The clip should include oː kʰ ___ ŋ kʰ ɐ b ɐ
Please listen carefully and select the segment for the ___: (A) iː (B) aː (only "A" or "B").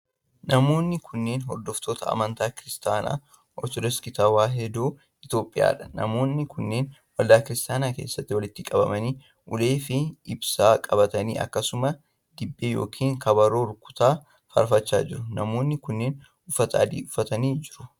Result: A